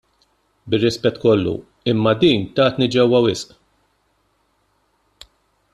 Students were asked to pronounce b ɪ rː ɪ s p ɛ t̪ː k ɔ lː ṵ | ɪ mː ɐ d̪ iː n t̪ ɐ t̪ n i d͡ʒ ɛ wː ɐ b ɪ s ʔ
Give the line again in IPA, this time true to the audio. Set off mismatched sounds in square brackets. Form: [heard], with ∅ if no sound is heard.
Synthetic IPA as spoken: b ɪ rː ɪ s p ɛ t̪ː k ɔ lː ṵ | ɪ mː ɐ d̪ iː n t̪ [ɐː] t̪ n i d͡ʒ ɛ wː ɐ [w] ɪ s ʔ